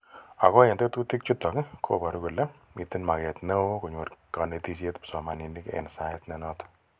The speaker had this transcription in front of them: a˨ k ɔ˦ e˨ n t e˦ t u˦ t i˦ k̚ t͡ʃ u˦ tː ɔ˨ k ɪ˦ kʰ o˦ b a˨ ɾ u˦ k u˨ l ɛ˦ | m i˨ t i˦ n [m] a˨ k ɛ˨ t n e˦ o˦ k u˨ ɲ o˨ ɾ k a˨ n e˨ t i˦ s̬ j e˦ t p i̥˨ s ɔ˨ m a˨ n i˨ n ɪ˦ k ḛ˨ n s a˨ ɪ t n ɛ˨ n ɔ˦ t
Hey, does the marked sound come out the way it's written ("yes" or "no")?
yes